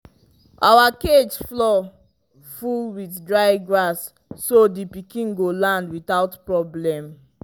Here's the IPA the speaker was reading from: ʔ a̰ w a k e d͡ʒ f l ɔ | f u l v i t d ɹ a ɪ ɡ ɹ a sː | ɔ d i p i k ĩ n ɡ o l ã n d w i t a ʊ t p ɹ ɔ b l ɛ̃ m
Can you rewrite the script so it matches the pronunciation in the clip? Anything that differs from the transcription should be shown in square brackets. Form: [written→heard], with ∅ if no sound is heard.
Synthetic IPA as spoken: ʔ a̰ w a k e d͡ʒ f l ɔ | f u l [v→w] i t d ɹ a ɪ ɡ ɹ a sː | [ɔ→o] d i p i k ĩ n ɡ o l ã n d w i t a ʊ t p ɹ ɔ b l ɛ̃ m